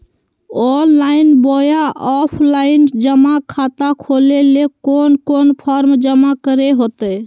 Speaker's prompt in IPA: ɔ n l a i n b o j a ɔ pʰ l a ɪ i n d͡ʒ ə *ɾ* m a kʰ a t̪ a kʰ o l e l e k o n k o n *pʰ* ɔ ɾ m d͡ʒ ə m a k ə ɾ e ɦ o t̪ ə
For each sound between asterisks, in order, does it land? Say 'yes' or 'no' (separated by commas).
no, yes